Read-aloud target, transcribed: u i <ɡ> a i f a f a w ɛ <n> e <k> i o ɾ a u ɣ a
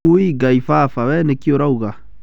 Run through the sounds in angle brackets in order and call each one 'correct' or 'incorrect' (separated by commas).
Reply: correct, correct, correct